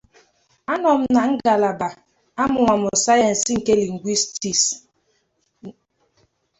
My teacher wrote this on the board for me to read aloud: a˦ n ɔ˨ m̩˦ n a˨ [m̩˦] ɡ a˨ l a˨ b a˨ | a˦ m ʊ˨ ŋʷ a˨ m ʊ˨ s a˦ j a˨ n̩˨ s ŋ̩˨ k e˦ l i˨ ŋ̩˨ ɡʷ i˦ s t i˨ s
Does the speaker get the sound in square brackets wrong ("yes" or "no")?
yes